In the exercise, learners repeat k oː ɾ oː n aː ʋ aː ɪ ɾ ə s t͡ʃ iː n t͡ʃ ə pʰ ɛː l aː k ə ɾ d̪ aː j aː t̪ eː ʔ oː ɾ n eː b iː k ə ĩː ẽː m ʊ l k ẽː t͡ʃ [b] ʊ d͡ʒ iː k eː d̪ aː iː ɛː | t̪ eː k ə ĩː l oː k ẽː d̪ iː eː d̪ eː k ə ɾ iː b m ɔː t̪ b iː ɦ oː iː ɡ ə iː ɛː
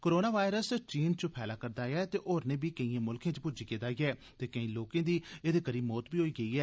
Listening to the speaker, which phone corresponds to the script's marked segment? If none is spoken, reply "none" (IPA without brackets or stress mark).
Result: p